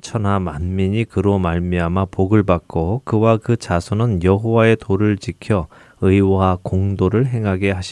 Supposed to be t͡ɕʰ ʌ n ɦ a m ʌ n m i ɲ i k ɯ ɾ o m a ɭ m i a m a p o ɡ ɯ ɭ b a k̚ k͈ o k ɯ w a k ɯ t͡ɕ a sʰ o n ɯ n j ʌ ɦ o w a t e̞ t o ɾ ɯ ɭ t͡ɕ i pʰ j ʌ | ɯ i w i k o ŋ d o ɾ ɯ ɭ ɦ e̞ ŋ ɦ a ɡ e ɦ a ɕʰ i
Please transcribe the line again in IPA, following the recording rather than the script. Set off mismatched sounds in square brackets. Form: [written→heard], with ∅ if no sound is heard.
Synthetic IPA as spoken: t͡ɕʰ ʌ n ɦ a m [ʌ→a] n m i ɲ i k ɯ ɾ o m a ɭ m i a m a p o ɡ ɯ ɭ b a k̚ k͈ o k ɯ w a k ɯ t͡ɕ a sʰ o n ɯ n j ʌ ɦ o w a [t→∅] e̞ t o ɾ ɯ ɭ t͡ɕ i [pʰ→kʰ] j ʌ | ɯ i w [i→a] k o ŋ d o ɾ ɯ ɭ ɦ e̞ ŋ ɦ a ɡ e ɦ a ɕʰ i